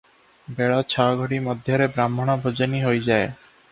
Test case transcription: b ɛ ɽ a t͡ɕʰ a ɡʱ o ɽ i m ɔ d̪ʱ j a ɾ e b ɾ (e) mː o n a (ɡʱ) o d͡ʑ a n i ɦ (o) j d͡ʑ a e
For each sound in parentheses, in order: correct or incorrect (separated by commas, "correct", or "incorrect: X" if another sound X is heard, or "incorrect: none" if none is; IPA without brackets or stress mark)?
incorrect: a, incorrect: bʱ, correct